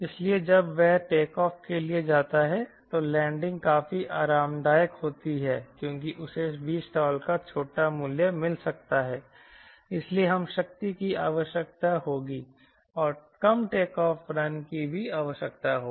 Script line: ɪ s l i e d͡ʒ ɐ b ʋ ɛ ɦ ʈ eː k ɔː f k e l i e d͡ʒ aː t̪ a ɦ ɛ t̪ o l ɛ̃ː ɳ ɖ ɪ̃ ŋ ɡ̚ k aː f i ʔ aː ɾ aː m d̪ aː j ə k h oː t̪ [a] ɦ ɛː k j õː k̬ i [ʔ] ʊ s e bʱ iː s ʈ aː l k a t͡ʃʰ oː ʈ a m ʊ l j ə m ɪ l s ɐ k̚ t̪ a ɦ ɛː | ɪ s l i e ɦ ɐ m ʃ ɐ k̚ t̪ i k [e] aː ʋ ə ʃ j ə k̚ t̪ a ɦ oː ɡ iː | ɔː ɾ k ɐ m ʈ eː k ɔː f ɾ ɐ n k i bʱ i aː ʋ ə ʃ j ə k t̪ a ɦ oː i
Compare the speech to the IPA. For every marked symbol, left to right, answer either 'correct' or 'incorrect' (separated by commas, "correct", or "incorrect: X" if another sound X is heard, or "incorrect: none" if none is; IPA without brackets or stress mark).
incorrect: i, correct, incorrect: i